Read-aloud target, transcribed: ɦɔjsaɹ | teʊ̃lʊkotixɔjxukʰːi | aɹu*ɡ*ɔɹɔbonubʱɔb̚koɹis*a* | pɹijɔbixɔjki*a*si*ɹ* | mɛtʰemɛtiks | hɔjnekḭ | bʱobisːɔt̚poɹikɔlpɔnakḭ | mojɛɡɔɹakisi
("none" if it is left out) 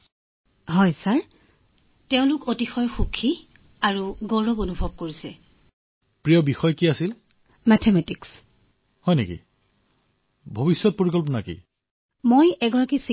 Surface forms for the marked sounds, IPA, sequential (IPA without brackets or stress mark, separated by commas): ɡ, ɛ, a, l